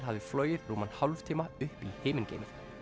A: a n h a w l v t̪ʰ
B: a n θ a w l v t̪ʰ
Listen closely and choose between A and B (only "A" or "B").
A